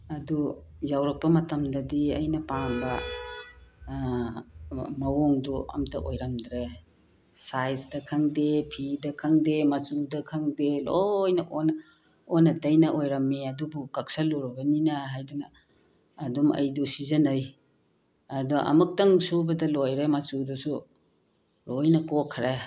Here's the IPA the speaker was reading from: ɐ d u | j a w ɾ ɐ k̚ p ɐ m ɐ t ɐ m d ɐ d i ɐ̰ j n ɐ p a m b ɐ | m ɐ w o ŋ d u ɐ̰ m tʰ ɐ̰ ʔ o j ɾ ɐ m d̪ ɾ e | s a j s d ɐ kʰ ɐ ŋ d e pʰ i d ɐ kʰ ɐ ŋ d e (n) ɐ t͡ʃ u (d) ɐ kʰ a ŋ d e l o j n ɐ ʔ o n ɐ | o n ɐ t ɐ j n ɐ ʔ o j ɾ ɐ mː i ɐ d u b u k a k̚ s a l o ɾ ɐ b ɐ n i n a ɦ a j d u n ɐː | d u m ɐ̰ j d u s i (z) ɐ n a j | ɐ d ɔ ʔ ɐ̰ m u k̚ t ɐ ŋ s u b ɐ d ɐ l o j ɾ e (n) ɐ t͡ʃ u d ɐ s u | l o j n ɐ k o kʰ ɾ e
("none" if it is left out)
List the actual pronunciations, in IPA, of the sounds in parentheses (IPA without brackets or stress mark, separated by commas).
m, d, z, m